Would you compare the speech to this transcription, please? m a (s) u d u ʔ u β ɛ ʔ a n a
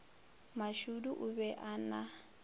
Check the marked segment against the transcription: incorrect: ʃ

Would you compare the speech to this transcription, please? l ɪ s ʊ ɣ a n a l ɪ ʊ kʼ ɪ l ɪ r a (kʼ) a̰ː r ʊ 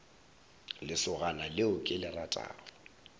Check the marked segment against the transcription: incorrect: tʼ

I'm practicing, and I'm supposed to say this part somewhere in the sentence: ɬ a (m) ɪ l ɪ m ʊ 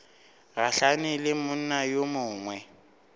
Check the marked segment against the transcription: incorrect: n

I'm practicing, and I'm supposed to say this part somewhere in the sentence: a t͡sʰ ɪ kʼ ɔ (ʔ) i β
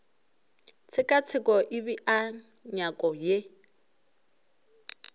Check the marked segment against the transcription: correct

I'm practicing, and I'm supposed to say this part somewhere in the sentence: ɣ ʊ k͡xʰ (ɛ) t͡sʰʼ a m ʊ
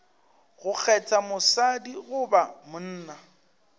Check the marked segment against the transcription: correct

